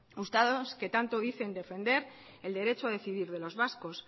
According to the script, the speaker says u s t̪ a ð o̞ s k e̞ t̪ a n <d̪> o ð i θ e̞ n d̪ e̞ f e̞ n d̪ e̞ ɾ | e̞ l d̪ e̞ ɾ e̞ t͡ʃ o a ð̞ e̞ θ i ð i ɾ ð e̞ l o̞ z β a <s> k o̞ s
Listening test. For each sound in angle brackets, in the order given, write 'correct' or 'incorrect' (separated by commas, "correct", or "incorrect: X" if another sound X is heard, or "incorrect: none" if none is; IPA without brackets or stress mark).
incorrect: t̪, correct